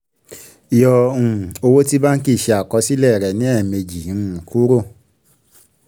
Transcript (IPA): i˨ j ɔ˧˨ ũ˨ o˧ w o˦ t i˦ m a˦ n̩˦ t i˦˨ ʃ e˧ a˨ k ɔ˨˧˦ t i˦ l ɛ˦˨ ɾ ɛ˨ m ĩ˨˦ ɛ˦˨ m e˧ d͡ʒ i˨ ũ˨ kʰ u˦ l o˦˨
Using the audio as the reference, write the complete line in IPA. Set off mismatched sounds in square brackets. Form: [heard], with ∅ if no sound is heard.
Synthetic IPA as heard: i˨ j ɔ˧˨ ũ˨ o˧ w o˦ t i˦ [b] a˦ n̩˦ [k] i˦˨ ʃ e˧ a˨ k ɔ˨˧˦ [s] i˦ l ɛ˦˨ ɾ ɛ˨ [n] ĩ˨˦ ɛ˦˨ m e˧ d͡ʒ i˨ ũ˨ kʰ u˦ [ɾ] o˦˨

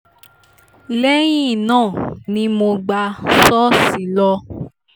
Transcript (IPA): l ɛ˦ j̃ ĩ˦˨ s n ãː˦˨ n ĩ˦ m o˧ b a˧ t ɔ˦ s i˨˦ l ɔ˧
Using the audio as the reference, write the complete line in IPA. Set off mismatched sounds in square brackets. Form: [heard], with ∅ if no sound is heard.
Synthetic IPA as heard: l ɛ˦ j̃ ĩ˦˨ [∅] n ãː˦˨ n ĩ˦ m o˧ [ɡ͡b] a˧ [s] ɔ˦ s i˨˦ l ɔ˧

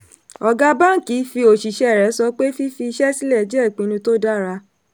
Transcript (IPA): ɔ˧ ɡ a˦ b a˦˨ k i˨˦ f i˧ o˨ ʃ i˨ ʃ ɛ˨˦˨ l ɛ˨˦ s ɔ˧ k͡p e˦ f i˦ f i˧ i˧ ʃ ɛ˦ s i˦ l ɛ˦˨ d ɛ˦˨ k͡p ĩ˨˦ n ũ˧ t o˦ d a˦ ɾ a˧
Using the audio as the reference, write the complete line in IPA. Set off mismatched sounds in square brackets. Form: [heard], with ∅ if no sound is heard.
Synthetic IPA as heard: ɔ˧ ɡ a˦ b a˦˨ k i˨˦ f i˧ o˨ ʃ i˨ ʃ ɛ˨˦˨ [ɾ] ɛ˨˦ s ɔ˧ k͡p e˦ f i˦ f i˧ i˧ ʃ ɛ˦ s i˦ l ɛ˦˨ [d͡ʒ] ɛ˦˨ k͡p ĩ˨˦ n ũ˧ t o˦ d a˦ ɾ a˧

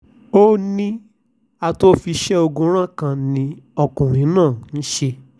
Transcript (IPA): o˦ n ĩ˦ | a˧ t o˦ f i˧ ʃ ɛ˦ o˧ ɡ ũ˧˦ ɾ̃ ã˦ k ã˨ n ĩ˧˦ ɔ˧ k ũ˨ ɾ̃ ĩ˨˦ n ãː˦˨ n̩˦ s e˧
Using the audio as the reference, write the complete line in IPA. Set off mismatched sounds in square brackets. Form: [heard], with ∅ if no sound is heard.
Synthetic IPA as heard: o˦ n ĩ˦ | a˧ t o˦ f i˧ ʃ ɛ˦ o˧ ɡ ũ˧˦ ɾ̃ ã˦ k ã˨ n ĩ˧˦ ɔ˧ k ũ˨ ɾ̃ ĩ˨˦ n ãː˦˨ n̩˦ [ʃ] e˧

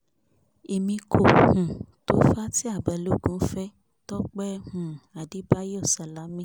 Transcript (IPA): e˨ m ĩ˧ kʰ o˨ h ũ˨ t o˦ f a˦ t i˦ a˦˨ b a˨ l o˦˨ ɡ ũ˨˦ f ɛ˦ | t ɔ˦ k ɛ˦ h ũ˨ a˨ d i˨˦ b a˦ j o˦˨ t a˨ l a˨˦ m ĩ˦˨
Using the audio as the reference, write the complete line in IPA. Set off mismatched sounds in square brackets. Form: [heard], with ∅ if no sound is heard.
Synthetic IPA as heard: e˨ m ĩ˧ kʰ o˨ h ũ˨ t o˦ f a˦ t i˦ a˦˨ b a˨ l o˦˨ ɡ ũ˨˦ f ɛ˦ | t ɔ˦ [k͡p] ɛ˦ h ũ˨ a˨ d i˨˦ b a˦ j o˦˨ [s] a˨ l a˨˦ m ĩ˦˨

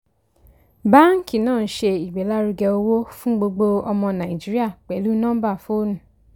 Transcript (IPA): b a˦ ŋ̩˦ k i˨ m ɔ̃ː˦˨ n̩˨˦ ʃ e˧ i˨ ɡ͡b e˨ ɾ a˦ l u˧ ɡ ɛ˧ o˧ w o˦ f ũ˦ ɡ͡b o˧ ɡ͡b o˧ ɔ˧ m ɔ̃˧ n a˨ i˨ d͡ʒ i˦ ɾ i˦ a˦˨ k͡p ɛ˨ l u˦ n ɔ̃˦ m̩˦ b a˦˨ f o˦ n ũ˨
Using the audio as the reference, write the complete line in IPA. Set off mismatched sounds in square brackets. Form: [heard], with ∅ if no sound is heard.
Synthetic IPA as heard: b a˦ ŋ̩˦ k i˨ [n] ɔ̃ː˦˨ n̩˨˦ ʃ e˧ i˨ ɡ͡b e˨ [l] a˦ [ɾ] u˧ ɡ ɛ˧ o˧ w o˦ f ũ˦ ɡ͡b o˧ ɡ͡b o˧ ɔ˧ m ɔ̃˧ n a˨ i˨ d͡ʒ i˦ ɾ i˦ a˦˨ k͡p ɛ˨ l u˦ n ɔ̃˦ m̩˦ b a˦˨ f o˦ n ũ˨

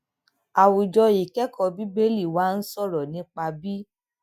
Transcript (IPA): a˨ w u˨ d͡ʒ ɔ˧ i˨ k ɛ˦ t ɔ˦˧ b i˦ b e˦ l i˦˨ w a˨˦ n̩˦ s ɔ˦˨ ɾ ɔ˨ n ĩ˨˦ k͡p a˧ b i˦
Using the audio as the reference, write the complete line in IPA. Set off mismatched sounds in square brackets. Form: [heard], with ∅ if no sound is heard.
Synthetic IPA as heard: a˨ w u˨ d͡ʒ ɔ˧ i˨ k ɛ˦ [k] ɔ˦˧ b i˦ b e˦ l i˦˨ w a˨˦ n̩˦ s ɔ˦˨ ɾ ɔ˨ n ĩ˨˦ k͡p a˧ b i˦

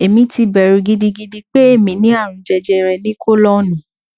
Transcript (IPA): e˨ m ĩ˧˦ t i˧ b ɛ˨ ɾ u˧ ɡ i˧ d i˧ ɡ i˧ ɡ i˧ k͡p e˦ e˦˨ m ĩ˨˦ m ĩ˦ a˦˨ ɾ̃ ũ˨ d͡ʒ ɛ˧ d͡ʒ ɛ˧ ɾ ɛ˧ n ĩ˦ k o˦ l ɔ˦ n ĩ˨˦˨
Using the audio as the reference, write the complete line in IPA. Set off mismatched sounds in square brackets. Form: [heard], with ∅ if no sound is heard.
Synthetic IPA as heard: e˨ m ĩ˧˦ t i˧ b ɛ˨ ɾ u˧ ɡ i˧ d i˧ ɡ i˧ [d] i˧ k͡p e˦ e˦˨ m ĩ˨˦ [n] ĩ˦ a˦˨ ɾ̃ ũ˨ d͡ʒ ɛ˧ d͡ʒ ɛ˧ ɾ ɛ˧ n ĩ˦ k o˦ l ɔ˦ n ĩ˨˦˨

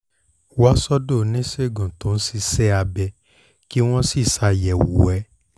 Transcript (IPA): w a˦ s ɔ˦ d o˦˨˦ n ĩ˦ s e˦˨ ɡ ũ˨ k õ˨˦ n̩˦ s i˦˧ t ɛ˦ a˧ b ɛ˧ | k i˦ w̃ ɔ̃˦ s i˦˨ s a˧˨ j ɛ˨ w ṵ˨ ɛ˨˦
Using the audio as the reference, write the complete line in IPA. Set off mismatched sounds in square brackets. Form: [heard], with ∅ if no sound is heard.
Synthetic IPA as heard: w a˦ s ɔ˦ d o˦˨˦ n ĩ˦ s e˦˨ ɡ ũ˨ [t] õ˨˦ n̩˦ s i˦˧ [s] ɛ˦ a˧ b ɛ˧ | k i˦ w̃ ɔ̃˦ s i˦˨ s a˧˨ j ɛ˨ w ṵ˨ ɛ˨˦

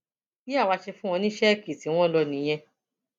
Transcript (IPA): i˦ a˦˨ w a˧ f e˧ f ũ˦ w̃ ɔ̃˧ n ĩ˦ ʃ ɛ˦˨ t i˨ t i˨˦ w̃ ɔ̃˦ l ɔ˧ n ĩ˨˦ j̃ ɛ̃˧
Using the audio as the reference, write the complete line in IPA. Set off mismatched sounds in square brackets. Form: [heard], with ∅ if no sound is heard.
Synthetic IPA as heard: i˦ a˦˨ w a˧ [ʃ] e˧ f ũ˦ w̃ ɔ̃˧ n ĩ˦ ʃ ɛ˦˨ [k] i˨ t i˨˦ w̃ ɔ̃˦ l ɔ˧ n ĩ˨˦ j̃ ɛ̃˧

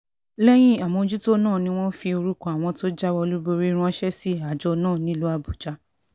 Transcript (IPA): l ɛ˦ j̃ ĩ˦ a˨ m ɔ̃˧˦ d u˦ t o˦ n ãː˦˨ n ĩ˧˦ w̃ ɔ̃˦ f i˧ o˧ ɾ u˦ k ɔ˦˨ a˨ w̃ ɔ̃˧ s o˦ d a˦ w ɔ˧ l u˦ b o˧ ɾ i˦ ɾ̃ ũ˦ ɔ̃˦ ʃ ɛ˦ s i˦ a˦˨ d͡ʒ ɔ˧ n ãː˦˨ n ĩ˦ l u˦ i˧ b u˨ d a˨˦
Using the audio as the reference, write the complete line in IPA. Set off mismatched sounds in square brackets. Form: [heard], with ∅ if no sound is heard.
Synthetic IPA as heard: l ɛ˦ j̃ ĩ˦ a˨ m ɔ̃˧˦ [d͡ʒ] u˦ t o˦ n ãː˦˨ n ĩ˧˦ w̃ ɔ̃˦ f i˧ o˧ ɾ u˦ k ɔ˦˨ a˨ w̃ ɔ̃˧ [t] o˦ [d͡ʒ] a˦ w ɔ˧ l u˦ b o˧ ɾ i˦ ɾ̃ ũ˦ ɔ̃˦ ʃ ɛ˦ s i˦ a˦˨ d͡ʒ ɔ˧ n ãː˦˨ n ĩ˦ l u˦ [a˧] b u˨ [d͡ʒ] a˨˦

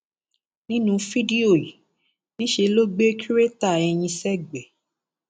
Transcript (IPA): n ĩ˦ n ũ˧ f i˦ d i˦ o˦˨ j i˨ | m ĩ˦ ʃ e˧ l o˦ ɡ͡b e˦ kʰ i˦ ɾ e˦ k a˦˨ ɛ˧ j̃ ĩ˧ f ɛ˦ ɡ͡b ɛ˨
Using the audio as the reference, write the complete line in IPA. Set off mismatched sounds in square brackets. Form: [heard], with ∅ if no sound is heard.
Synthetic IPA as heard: n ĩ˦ n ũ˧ f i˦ d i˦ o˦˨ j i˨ | [n] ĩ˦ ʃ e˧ l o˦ ɡ͡b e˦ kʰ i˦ ɾ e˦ [t] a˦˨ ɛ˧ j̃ ĩ˧ [s] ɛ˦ ɡ͡b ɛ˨

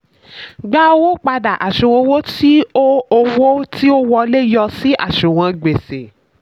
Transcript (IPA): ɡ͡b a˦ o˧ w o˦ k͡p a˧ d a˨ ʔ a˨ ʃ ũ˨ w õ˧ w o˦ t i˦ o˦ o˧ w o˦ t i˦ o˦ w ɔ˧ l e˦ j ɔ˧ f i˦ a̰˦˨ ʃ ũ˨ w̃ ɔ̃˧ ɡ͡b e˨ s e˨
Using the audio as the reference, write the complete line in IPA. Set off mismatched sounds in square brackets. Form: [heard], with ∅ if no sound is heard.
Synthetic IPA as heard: ɡ͡b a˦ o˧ w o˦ k͡p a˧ d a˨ ʔ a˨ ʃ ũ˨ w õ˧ w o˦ t i˦ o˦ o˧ w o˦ t i˦ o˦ w ɔ˧ l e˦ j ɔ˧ [s] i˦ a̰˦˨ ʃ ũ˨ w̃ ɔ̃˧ ɡ͡b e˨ s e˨

